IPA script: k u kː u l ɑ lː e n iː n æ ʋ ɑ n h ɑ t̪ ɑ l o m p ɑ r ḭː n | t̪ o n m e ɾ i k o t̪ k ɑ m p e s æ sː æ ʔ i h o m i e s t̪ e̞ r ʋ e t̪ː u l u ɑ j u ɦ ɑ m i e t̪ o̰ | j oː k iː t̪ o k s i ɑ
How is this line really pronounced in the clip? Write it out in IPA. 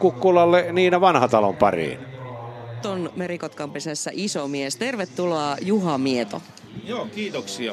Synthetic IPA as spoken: k u kː u l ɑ lː e n iː n æ ʋ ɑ n h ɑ t̪ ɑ l o m p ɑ r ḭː n | t̪ o n m e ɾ i k o t̪ k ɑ m p e s æ sː æ ʔ i s o m i e s t̪ e̞ r ʋ e t̪ː u l o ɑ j u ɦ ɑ m i e t̪ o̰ | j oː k iː t̪ o k s i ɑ